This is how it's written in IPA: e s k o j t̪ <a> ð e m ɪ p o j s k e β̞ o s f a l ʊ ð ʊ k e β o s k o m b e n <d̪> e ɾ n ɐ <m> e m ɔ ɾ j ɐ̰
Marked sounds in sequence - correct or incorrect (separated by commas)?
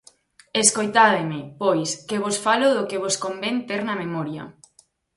correct, incorrect, correct